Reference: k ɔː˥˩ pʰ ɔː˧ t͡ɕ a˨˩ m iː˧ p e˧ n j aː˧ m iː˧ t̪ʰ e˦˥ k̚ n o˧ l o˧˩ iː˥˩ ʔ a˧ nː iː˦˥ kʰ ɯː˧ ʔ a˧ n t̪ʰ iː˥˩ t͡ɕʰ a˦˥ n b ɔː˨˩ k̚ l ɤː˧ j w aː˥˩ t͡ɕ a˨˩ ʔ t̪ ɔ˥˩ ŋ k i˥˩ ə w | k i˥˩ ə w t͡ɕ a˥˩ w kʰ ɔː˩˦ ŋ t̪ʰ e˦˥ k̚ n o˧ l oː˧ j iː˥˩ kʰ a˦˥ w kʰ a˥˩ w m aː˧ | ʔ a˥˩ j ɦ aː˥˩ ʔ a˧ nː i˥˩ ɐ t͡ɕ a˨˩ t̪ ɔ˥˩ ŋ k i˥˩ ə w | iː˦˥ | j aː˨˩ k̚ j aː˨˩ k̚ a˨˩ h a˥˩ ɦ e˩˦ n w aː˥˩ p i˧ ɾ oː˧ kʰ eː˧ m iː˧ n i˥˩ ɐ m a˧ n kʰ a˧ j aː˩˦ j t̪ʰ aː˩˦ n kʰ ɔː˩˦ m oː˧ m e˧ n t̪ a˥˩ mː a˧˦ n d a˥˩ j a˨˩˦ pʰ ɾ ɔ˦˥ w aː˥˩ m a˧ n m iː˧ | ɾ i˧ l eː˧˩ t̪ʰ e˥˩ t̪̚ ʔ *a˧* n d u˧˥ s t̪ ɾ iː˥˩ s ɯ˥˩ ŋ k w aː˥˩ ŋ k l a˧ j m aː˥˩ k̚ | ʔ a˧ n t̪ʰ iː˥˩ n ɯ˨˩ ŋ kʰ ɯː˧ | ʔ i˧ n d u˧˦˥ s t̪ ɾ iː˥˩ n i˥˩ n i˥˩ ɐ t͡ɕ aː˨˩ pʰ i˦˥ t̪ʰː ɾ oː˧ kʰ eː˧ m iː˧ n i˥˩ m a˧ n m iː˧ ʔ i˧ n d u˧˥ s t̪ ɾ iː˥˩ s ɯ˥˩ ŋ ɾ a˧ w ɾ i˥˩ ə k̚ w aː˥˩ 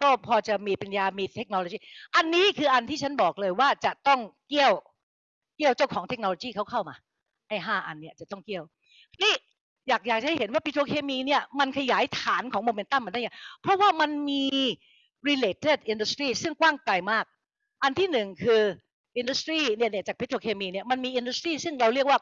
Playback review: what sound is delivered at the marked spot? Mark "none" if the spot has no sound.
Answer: i˧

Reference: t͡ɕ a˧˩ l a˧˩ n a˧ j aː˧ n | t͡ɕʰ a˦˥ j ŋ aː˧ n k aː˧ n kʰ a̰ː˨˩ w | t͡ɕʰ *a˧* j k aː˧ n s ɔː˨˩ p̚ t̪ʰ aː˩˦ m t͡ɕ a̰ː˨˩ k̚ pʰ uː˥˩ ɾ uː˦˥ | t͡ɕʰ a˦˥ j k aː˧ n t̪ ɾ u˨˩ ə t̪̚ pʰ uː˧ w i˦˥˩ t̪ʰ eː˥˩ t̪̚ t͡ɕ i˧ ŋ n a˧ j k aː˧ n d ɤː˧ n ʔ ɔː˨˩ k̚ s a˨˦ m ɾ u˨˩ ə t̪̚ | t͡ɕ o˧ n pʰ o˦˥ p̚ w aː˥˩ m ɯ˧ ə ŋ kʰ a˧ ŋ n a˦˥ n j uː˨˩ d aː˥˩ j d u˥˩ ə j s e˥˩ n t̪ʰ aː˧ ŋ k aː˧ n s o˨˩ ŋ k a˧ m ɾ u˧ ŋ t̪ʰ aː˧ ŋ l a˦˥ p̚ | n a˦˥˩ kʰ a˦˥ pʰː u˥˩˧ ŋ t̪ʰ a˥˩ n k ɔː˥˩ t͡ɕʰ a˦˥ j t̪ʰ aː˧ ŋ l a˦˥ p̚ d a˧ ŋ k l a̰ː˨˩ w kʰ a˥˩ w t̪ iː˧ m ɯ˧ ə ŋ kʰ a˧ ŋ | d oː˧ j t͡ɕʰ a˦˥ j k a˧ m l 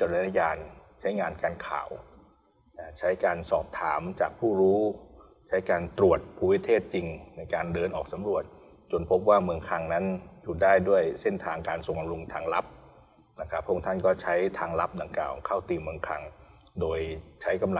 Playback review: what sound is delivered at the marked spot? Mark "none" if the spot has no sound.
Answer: a˦˥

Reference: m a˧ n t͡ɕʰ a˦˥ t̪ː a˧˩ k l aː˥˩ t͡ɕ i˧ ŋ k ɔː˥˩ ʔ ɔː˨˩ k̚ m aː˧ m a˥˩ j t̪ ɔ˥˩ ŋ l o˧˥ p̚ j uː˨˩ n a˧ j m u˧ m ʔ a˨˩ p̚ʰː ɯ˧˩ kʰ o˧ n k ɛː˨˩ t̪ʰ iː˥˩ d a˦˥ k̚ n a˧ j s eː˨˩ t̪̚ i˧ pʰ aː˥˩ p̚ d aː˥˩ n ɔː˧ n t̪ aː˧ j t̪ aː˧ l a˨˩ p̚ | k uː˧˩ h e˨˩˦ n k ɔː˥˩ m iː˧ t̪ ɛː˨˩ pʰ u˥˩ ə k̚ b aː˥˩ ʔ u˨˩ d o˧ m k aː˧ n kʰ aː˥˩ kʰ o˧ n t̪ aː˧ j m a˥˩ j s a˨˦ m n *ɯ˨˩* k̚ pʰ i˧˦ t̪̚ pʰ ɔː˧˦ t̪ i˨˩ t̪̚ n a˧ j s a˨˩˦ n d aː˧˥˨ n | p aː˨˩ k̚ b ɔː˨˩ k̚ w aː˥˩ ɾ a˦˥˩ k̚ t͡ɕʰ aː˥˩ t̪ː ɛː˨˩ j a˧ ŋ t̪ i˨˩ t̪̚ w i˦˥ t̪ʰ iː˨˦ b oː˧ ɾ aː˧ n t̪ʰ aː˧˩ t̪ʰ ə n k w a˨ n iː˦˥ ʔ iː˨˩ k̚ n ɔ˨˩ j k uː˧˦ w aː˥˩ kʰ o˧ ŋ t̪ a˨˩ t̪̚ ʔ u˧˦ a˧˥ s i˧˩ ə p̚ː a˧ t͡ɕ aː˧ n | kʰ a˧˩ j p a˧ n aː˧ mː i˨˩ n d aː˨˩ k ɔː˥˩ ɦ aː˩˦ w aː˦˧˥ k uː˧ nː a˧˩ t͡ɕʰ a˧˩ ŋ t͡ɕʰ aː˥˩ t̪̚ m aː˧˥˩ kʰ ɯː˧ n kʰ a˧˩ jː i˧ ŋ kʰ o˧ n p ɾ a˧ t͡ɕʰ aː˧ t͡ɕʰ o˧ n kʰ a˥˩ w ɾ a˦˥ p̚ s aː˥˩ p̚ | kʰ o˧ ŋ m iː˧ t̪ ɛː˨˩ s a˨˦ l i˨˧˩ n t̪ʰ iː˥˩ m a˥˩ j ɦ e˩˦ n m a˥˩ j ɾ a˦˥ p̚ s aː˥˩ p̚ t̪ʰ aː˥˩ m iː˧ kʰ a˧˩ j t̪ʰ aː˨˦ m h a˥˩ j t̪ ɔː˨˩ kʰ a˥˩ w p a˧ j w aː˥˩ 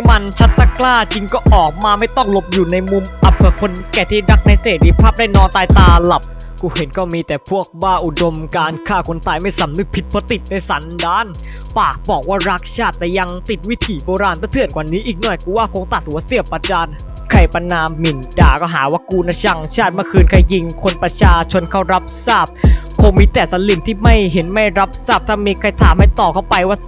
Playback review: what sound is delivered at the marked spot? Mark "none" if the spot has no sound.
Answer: ɯ˨˩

